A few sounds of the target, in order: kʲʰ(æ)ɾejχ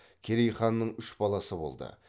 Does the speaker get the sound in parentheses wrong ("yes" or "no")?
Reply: yes